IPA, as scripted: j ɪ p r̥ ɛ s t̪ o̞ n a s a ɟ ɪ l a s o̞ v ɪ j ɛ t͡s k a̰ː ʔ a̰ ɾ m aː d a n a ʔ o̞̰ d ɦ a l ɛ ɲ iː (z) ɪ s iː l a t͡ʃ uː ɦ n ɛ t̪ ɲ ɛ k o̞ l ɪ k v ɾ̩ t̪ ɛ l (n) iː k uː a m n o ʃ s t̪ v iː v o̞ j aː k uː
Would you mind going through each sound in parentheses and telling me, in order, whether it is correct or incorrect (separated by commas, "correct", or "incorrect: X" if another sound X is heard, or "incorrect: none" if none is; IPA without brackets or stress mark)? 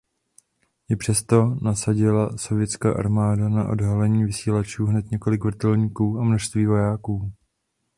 incorrect: v, incorrect: ɲ